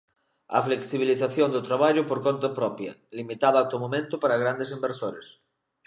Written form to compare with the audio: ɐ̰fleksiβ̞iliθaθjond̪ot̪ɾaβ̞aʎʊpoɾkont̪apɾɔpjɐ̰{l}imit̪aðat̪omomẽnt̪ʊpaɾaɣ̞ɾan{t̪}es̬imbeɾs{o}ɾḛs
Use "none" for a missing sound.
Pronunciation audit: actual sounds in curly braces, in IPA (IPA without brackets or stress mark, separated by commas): l, d̪, o